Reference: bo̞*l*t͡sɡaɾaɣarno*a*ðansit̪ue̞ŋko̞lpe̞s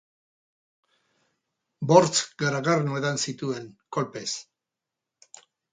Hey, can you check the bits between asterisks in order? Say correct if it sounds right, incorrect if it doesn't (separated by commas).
incorrect, incorrect